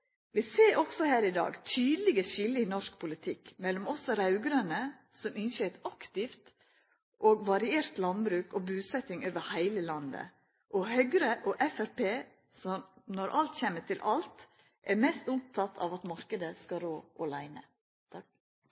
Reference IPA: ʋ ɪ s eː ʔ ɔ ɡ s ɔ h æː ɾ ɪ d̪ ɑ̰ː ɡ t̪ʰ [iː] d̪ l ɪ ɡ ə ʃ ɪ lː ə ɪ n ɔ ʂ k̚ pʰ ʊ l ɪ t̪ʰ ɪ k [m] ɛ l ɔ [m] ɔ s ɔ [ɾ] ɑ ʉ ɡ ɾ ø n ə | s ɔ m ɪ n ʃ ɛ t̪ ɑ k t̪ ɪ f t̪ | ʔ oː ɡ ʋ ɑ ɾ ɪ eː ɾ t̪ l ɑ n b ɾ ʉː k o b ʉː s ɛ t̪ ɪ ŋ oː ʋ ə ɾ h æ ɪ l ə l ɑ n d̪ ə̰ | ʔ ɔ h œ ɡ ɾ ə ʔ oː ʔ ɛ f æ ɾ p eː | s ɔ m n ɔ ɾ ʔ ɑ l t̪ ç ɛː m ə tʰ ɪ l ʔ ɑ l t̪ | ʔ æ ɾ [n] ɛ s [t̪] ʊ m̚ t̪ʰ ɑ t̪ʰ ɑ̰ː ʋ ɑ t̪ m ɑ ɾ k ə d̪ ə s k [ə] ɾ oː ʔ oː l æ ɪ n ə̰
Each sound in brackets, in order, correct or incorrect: incorrect: yː, correct, correct, correct, incorrect: m, correct, incorrect: ɑ

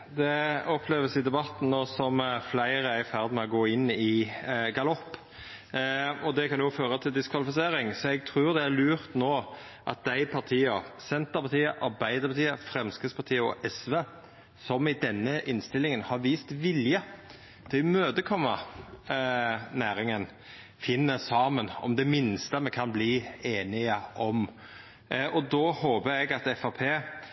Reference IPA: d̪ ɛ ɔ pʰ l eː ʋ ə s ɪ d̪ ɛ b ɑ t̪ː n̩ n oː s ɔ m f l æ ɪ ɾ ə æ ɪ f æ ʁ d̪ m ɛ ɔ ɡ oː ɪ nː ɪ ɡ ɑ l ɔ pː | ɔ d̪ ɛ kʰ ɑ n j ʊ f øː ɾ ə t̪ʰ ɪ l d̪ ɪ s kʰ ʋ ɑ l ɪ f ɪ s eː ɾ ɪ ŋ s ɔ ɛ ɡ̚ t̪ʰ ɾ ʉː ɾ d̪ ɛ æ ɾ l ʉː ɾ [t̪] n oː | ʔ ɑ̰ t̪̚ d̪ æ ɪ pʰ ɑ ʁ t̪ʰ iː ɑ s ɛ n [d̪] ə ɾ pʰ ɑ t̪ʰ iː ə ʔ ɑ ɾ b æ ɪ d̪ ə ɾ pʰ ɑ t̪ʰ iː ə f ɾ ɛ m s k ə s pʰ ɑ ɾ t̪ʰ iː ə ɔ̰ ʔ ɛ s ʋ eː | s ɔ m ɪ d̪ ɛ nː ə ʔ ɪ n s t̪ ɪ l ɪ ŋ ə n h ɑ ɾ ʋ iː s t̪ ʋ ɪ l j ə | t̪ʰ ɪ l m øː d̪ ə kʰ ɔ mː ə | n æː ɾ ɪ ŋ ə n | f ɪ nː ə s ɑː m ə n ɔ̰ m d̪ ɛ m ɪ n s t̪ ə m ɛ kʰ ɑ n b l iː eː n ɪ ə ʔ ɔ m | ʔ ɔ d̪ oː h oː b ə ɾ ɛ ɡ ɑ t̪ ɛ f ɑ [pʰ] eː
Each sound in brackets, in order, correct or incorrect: correct, incorrect: t̪, correct

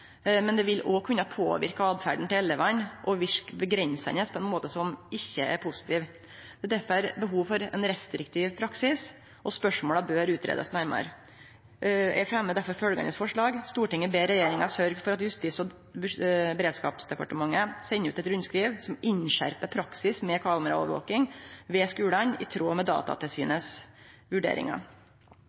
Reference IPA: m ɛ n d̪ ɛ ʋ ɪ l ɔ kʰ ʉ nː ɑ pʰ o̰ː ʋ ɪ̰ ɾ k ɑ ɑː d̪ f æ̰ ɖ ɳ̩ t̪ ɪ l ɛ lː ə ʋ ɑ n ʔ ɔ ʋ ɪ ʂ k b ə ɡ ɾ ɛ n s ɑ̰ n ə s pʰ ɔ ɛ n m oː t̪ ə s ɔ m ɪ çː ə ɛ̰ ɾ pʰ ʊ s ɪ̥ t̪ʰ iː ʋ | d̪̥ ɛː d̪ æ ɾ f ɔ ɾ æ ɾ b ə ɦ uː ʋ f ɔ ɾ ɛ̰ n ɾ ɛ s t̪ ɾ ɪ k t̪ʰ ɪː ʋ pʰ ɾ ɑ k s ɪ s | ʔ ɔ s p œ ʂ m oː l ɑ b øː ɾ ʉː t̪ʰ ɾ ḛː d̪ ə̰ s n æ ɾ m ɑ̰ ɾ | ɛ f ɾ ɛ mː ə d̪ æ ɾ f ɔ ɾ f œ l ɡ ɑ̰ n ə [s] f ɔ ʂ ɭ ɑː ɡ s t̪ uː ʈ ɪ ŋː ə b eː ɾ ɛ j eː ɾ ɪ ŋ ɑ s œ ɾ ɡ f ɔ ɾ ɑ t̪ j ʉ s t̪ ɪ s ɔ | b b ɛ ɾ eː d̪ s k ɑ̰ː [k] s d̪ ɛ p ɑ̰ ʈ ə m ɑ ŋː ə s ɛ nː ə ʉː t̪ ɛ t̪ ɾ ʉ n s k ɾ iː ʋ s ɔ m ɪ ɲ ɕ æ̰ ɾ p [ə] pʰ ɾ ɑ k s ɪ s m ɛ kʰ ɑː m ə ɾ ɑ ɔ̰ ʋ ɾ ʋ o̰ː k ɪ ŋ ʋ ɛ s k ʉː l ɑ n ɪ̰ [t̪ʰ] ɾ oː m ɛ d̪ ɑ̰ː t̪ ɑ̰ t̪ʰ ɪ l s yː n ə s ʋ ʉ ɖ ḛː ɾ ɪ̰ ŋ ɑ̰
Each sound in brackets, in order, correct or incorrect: correct, incorrect: p, correct, correct

